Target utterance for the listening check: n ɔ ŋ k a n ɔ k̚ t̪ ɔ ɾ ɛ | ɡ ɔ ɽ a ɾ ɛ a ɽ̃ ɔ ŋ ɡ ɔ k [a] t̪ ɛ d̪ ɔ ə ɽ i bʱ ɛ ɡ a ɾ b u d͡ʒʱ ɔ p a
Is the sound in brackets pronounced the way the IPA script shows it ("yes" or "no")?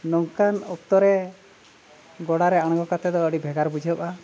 yes